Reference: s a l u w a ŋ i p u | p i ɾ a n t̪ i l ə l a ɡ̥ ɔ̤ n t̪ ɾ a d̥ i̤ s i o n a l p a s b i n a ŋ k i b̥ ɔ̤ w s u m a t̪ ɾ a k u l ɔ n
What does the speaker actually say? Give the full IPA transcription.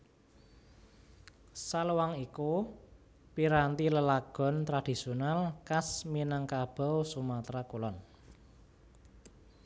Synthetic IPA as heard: s a l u w a ŋ i k u | p i ɾ a n t̪ i l ə l a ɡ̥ ɔ̤ n t̪ ɾ a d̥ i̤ s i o n a l k a s m i n a ŋ k a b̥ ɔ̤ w s u m a t̪ ɾ a k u l ɔ n